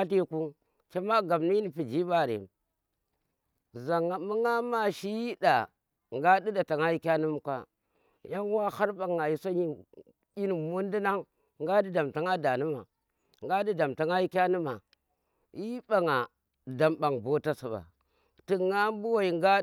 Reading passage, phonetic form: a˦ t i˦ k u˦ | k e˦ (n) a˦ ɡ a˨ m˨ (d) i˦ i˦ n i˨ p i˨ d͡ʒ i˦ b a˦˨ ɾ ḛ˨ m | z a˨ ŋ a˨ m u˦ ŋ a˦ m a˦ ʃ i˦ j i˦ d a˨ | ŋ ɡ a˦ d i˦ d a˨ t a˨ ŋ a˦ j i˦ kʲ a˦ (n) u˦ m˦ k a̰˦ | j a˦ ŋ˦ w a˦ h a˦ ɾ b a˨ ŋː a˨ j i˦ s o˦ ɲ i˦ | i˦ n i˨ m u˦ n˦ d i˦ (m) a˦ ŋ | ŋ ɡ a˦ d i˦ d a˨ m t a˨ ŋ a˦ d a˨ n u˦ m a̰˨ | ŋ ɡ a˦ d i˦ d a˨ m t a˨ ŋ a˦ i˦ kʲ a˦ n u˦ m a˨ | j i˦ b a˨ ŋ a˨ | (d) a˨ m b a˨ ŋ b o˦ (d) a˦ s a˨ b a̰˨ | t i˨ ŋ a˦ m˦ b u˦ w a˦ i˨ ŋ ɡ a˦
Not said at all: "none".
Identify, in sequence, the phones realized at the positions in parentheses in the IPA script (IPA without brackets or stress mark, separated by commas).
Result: m, n, n, n, d, t